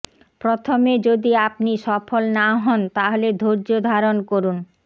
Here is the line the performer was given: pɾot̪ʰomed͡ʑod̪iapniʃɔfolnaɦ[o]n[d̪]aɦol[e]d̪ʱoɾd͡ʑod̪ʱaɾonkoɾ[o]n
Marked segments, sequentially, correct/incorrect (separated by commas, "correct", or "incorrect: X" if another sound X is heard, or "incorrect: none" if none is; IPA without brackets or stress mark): incorrect: ɔ, incorrect: t̪, correct, incorrect: u